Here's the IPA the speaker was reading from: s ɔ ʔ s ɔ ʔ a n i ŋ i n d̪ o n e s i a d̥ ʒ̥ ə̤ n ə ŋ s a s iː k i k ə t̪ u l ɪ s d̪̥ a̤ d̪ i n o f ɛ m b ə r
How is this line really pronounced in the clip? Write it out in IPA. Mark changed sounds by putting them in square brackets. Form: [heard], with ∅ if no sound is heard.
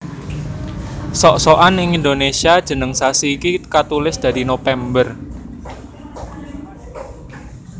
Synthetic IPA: s ɔ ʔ s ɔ ʔ a n [ɪ] ŋ i n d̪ o n e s i a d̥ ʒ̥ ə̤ n ə ŋ s a s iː k i k [a] t̪ u l ɪ s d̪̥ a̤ d̪ i n o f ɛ m b ə r